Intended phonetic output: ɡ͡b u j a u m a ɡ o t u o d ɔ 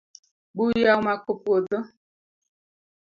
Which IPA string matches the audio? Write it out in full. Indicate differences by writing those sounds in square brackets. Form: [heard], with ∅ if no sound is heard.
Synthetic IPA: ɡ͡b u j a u m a [k] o [p] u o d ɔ